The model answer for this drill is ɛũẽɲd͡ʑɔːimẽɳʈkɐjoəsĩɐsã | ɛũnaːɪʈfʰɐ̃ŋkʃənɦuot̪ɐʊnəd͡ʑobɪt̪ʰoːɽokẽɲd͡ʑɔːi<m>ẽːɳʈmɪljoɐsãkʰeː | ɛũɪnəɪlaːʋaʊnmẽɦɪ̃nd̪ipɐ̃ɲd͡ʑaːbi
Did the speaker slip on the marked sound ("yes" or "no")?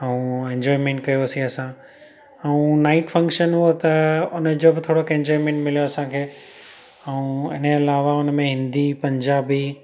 no